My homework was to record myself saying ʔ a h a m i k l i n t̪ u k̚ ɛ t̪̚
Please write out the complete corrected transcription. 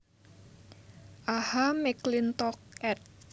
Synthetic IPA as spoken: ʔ a h a m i k l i n t̪ ɔ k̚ ɛ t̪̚